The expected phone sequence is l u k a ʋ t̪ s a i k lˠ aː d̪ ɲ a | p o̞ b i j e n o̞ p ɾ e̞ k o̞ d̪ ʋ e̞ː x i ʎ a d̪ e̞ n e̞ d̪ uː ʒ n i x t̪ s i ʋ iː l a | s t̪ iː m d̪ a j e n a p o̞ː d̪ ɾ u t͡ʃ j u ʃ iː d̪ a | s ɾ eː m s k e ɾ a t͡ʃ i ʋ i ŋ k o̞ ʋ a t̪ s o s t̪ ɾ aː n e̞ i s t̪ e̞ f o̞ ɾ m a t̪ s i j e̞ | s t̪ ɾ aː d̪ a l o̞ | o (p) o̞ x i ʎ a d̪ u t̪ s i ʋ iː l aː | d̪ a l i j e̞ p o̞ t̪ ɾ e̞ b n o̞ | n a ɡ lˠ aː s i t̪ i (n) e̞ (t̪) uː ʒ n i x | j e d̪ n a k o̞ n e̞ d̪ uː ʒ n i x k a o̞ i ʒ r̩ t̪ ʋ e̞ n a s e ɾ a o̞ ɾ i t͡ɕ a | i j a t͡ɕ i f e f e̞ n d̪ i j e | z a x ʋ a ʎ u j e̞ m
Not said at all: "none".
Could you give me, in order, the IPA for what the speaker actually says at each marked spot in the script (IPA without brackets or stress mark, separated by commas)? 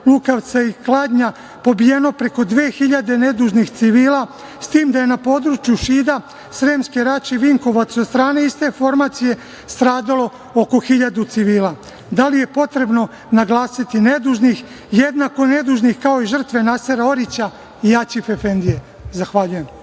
k, n, d̪